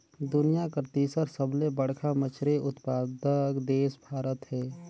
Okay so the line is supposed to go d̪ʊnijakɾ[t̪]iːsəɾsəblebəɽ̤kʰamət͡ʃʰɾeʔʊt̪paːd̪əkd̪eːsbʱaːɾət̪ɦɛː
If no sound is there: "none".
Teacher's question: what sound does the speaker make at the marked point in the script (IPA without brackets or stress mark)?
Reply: t̪